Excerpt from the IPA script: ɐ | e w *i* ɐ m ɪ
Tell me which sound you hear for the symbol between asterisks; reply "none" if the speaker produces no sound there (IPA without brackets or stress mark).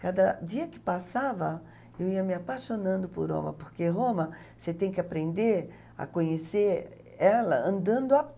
i